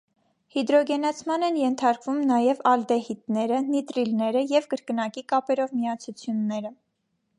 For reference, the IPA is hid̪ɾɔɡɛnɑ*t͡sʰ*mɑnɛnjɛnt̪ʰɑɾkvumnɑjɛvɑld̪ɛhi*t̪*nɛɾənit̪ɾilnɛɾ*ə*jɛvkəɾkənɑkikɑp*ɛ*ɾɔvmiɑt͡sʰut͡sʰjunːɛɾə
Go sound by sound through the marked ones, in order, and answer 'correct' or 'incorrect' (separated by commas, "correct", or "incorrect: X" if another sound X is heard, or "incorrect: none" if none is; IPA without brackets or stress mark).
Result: correct, correct, correct, correct